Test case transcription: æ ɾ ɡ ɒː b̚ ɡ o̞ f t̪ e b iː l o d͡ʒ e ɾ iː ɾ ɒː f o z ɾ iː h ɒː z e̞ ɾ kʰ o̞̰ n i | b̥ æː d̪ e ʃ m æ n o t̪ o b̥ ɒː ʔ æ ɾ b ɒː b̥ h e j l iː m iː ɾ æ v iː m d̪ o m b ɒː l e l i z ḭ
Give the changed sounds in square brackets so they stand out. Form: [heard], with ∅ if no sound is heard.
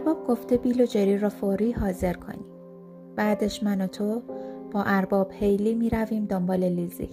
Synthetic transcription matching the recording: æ ɾ [b] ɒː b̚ ɡ o̞ f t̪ e b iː l o d͡ʒ e ɾ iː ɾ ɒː f o [∅] ɾ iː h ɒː z e̞ ɾ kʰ o̞̰ n i | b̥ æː d̪ e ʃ m æ n o [t̪ʰ] o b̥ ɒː ʔ æ ɾ b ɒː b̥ h e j l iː m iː ɾ æ v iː m d̪ o m b ɒː l e l i z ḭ